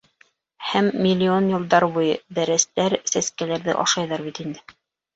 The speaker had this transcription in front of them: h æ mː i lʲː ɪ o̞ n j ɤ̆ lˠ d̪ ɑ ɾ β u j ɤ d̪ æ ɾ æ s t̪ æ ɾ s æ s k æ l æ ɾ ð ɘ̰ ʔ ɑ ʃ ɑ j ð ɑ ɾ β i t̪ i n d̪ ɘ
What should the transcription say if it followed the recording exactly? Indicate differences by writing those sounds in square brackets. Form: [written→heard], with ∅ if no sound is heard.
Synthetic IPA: h æ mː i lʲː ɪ o̞ n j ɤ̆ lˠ d̪ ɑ ɾ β u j ɤ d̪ æ ɾ æ s t̪ æ ɾ s æ s k æ l æ ɾ ð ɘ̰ ʔ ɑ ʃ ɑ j ð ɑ ɾ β i t̪ i n d̪ ɘ

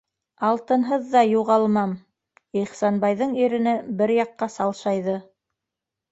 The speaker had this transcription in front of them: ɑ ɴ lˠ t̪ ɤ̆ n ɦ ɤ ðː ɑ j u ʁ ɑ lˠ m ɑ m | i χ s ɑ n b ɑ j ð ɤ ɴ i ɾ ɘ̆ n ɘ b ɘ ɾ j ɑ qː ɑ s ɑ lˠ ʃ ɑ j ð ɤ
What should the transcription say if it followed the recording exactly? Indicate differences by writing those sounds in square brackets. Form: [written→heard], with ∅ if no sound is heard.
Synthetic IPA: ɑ [ɴ→∅] lˠ t̪ ɤ̆ n ɦ ɤ ðː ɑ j u ʁ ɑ lˠ m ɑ m | i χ s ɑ n b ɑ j ð ɤ ɴ i ɾ ɘ̆ n ɘ b ɘ ɾ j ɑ qː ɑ s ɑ lˠ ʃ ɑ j ð ɤ

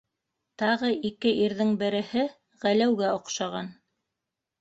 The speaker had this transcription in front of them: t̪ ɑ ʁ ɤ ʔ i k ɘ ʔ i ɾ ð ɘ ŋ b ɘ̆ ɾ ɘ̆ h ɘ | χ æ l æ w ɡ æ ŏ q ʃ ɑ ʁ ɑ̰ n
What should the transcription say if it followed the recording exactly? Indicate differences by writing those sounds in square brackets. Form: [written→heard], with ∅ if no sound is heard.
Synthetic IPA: t̪ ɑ ʁ ɤ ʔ i k ɘ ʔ i ɾ ð ɘ ŋ b ɘ̆ ɾ ɘ̆ h ɘ | [χ→ʁ] æ l æ w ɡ æ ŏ q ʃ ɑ ʁ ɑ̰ n

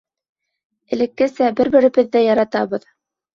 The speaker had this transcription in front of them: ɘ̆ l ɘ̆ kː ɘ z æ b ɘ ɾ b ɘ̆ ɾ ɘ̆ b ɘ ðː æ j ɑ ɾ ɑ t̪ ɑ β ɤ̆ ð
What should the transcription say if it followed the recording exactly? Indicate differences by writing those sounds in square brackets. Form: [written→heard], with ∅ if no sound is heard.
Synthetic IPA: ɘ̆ l ɘ̆ kː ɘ [z→s] æ b ɘ ɾ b ɘ̆ ɾ ɘ̆ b ɘ ðː æ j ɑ ɾ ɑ t̪ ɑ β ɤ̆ ð

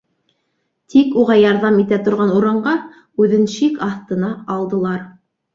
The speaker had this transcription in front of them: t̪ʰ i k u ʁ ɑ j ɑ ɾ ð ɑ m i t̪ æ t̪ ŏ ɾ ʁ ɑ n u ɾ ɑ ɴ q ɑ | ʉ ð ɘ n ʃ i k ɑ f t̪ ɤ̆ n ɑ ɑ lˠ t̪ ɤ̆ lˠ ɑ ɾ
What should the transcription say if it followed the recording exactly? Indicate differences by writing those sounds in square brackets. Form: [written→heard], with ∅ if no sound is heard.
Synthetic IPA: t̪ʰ i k u ʁ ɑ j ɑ ɾ ð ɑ m i t̪ æ t̪ ŏ ɾ ʁ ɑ n u ɾ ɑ ɴ [q→ɢ] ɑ | ʉ ð ɘ n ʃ i k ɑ [f→θ] t̪ ɤ̆ n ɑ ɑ lˠ [t̪→d̪] ɤ̆ lˠ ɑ ɾ

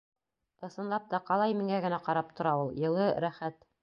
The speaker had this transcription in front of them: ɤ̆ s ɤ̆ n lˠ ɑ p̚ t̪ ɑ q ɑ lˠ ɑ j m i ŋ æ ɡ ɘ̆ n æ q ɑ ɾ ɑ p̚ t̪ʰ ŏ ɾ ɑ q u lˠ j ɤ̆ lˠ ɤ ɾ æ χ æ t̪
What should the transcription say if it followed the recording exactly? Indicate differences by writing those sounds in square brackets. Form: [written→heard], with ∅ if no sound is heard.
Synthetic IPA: ɤ̆ s ɤ̆ n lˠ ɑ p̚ t̪ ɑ q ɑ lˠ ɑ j m i ŋ æ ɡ ɘ̆ n æ q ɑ ɾ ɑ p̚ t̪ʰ ŏ ɾ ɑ [q→∅] u lˠ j ɤ̆ lˠ ɤ ɾ æ χ æ t̪

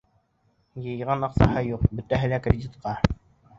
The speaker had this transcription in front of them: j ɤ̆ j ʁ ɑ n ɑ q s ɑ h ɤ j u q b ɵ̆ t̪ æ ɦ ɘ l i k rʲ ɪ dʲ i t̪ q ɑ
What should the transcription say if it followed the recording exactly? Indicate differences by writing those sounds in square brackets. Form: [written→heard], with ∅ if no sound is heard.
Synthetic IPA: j ɤ̆ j ʁ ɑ n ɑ q s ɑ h ɤ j u q b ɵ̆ t̪ æ ɦ ɘ l [i→æ] k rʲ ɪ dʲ i t̪ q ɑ

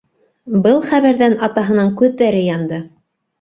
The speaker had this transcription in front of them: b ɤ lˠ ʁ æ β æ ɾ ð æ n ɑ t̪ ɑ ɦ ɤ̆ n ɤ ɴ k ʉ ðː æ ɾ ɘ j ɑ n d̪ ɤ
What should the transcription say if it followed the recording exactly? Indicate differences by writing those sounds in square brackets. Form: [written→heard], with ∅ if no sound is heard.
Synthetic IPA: b ɤ lˠ [ʁ→χ] æ β æ ɾ ð æ n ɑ t̪ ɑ ɦ ɤ̆ n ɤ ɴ k ʉ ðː æ ɾ ɘ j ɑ n d̪ ɤ

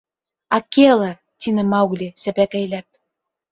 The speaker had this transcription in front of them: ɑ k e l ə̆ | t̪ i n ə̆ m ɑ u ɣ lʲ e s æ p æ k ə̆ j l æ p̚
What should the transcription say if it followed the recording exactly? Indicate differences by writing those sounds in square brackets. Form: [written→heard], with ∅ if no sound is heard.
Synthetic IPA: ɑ k e l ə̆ | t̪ i n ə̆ m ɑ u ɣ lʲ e s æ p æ k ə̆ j l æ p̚

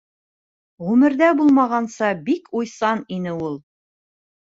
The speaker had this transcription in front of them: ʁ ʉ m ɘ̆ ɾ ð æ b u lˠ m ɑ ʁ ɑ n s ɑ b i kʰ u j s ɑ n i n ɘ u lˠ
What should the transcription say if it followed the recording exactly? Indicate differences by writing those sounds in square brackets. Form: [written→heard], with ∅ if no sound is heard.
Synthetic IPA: ʁ ʉ m ɘ̆ ɾ ð æ b u lˠ m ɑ ʁ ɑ n s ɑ b i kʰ u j s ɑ n i n ɘ u lˠ

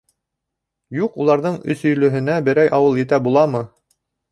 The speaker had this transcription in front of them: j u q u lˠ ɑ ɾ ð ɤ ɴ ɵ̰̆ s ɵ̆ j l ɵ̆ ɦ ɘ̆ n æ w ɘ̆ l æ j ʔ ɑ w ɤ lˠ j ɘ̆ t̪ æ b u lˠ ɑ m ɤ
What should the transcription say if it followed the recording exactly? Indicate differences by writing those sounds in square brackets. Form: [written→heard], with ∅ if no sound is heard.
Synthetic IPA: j u q u lˠ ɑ ɾ ð ɤ ɴ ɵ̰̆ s ɵ̆ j l ɵ̆ ɦ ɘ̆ n æ [w→b] ɘ̆ [l→ɾ] æ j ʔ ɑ w ɤ lˠ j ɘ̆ t̪ æ b u lˠ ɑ m ɤ

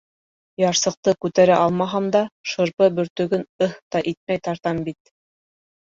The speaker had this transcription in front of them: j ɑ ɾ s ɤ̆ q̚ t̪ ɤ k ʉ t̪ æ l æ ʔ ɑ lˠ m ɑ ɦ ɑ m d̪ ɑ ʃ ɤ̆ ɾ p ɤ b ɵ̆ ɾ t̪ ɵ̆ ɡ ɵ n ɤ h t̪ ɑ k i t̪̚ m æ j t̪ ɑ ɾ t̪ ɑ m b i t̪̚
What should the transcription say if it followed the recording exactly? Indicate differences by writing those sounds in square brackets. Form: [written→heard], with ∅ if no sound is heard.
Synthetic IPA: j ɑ ɾ s ɤ̆ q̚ t̪ ɤ k ʉ t̪ æ [l→ɾ] æ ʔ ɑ lˠ m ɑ ɦ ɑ m d̪ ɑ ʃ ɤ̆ ɾ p ɤ b ɵ̆ ɾ t̪ ɵ̆ ɡ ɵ n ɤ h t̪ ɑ [k→ʔ] i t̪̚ m æ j t̪ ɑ ɾ t̪ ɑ m b i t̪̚

